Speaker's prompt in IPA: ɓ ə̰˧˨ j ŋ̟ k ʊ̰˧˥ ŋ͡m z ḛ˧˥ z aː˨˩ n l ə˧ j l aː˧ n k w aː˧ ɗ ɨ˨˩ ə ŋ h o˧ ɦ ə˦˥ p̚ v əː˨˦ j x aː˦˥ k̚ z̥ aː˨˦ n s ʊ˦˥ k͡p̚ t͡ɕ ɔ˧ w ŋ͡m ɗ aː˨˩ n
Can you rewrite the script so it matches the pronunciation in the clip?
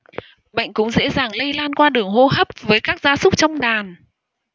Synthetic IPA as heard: ɓ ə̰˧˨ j ŋ̟ k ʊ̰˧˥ ŋ͡m z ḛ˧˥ z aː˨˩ ŋ l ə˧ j l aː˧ n k w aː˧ ɗ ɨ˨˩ ə ŋ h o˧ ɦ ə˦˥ p̚ v əː˨˦ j k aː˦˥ k̚ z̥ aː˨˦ s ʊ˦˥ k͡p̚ t͡ɕ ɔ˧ w ŋ͡m ɗ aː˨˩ n